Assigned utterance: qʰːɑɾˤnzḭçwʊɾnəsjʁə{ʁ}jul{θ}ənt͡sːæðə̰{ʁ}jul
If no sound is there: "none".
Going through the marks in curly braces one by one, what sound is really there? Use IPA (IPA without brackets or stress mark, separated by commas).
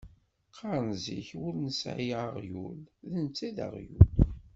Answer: ʁ, ð, ʁ